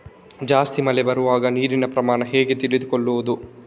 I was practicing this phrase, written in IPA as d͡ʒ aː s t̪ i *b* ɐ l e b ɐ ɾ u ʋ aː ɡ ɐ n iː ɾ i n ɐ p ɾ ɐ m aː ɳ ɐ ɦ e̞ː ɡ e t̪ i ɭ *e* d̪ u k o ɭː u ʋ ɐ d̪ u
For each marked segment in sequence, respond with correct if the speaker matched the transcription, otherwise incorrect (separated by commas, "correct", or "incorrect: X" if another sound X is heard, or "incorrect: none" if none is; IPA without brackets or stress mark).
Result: incorrect: m, incorrect: i